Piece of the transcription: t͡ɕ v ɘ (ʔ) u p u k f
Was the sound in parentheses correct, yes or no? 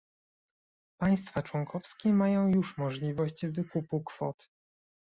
no